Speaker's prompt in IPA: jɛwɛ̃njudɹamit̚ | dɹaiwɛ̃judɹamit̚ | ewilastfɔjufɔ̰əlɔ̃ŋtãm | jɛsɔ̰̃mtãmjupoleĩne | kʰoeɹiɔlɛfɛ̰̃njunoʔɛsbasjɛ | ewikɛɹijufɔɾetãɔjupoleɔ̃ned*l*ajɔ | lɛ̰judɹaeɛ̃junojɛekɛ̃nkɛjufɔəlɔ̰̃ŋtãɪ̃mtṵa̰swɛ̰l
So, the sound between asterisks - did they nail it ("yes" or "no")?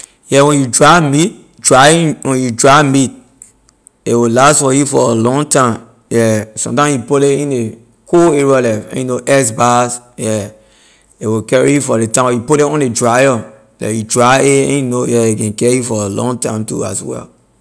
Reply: no